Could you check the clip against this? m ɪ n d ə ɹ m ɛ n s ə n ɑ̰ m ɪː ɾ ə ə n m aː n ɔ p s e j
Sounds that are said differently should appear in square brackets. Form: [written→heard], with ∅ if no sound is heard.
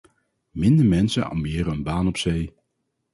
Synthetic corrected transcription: m ɪ n d ə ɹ m ɛ n s ə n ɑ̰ m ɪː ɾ ə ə n [m→b] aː n ɔ p s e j